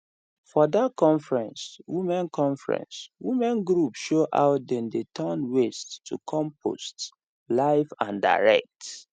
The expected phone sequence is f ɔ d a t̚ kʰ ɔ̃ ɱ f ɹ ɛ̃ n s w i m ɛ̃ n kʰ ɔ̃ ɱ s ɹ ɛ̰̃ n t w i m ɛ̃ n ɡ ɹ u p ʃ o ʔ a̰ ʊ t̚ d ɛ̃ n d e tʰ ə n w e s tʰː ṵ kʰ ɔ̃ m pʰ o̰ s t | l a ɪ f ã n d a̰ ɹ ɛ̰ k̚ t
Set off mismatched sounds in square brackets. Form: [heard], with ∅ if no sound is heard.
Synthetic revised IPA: f ɔ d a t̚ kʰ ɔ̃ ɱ f ɹ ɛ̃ n s w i m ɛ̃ n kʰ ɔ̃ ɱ [f] ɹ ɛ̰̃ n [s] w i m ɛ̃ n ɡ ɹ u p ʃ o ʔ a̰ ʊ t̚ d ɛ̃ n d e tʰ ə n w e s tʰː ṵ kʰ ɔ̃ m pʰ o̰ s t | l a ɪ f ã n d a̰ ɹ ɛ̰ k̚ t